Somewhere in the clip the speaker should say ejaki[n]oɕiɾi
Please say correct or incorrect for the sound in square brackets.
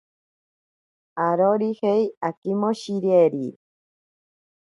incorrect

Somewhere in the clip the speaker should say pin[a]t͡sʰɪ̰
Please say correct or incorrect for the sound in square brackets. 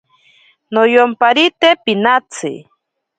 correct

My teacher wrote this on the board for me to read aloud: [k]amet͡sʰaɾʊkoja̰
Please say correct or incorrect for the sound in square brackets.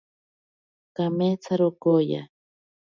correct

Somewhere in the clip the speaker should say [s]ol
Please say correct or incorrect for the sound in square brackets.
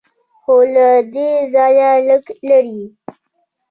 incorrect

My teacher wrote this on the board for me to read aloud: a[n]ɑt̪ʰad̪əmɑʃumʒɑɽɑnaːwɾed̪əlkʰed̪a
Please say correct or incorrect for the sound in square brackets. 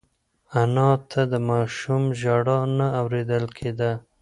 correct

